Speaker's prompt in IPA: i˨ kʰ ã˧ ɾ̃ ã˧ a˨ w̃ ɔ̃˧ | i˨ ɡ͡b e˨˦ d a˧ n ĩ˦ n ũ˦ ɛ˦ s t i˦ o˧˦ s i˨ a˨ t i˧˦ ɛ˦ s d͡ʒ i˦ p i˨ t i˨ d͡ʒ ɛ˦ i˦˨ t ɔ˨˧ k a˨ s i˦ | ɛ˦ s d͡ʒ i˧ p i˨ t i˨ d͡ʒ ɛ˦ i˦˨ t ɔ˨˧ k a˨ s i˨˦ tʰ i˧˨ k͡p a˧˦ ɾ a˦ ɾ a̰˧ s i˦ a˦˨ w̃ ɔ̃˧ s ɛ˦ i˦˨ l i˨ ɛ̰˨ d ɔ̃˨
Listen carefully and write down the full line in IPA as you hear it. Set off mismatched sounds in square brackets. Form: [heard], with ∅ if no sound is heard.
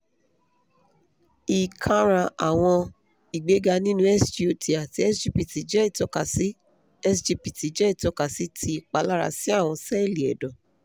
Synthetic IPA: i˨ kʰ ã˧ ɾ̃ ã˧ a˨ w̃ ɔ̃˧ | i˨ ɡ͡b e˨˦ [ɡ] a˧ n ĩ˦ n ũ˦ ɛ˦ s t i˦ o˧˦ [t] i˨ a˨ t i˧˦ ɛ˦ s d͡ʒ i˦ p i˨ t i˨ d͡ʒ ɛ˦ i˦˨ t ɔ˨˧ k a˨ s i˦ | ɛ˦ s d͡ʒ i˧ p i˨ t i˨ d͡ʒ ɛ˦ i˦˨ t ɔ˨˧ k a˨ s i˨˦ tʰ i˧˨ k͡p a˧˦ [l] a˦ ɾ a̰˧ s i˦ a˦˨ w̃ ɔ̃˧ s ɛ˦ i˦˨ l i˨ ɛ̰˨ d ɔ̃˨